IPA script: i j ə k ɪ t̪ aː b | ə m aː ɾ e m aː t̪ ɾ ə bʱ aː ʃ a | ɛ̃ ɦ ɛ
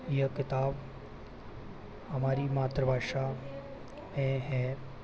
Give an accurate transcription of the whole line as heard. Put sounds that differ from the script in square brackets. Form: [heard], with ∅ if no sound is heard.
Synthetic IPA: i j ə k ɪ t̪ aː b | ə m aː ɾ [i] m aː t̪ ɾ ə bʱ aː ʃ a | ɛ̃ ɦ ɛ